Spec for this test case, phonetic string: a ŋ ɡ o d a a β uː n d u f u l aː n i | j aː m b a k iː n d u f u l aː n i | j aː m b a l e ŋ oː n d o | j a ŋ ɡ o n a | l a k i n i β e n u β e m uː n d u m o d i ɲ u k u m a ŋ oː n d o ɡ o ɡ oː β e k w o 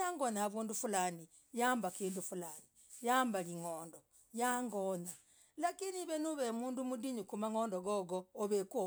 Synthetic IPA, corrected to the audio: a ŋ ɡ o n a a β uː n d u f u l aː n i | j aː m b a k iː n d u f u l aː n i | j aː m b a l i ŋ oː n d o | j a ŋ ɡ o n a | l a k i n i β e n u β e m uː n d u m u d i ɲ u k u m a ŋ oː n d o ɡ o ɡ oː β e k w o